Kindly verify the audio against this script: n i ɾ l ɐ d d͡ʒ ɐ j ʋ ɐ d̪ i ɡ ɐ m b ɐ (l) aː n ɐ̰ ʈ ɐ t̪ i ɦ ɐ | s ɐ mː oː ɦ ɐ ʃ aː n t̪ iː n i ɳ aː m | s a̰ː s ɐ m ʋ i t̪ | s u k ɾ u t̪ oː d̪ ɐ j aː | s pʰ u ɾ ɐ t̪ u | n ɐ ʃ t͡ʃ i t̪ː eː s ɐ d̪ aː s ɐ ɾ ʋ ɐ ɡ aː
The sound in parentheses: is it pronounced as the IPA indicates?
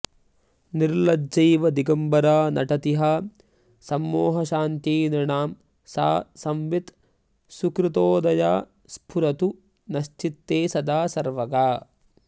no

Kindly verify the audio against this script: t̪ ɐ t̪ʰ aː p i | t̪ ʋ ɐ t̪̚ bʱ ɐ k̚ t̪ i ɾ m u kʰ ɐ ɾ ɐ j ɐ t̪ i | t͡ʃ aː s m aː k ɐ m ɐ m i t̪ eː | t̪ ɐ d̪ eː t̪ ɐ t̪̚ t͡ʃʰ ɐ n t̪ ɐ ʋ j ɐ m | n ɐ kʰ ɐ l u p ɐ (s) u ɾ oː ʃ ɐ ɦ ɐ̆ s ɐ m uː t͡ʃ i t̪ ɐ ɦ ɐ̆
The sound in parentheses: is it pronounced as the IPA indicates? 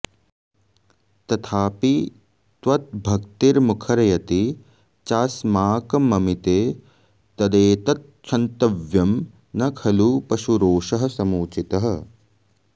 no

